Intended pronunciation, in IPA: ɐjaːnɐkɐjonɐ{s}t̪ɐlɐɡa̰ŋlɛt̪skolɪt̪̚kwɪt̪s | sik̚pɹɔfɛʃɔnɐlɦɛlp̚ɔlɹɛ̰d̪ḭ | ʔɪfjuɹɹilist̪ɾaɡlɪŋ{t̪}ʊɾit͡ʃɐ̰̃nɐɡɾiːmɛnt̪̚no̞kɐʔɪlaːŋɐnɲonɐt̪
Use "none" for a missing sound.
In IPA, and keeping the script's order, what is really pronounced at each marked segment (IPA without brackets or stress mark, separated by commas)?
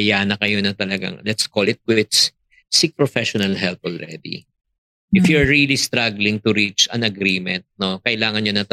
none, t̪